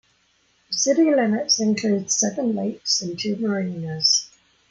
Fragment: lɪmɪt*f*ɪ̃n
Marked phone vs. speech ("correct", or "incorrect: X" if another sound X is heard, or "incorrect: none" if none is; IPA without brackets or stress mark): incorrect: s